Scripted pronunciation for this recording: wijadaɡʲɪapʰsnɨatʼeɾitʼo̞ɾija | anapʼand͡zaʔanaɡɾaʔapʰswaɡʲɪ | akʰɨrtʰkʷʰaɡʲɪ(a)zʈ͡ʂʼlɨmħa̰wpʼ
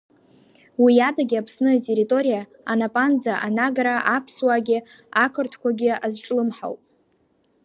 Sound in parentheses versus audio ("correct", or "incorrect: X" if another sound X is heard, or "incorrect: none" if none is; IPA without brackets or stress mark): correct